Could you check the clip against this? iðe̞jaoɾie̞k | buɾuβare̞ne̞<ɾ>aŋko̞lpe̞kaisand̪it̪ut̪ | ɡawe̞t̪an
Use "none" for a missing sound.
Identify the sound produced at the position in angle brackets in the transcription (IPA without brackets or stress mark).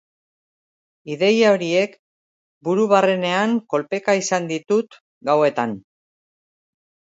none